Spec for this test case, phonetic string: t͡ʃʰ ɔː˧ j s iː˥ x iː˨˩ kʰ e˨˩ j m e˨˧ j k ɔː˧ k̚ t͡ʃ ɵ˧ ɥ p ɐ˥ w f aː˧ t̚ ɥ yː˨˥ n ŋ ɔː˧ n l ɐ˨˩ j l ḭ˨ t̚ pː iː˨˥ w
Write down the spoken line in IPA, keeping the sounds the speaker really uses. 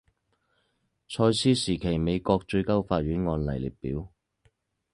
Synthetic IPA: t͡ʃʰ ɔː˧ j s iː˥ s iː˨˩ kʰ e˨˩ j m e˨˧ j k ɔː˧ k̚ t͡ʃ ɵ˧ ɥ k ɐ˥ w f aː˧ t̚ ɥ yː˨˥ n ŋ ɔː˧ n l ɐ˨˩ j l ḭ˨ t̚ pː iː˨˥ w